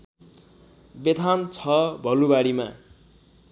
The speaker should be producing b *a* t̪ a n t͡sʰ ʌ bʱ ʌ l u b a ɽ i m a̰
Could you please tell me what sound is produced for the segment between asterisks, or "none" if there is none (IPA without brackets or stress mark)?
e